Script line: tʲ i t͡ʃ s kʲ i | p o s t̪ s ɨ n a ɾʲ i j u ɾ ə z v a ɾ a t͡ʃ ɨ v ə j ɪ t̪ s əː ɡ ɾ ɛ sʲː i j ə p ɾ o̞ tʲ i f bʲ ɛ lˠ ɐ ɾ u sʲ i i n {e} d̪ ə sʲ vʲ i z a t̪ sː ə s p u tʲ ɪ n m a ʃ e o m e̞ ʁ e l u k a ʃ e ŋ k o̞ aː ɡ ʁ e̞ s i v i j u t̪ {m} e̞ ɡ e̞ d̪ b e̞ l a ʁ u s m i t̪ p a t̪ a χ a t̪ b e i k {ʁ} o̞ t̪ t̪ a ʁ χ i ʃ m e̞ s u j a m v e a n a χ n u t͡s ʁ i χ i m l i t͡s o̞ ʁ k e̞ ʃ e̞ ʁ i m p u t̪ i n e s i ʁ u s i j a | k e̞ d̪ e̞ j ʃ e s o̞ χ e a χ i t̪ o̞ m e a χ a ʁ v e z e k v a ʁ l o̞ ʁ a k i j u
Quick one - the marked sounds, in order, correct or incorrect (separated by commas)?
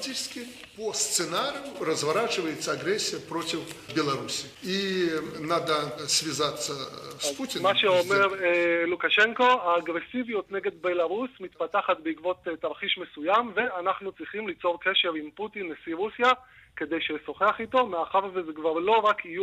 incorrect, incorrect, incorrect